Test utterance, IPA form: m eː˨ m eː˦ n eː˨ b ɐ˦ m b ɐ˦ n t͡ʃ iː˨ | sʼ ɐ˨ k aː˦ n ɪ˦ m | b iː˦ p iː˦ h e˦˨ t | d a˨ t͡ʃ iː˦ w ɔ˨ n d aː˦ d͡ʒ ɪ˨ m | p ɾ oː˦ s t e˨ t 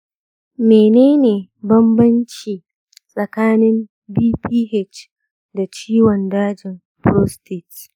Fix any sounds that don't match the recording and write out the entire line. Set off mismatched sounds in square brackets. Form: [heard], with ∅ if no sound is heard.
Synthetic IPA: m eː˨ [n] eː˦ n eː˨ b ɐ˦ m b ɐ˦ n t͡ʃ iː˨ | sʼ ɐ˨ k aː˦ n ɪ˦ m | b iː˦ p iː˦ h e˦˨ [t͡ʃ] | d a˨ t͡ʃ iː˦ w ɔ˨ n d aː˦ d͡ʒ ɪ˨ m | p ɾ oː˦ s t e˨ t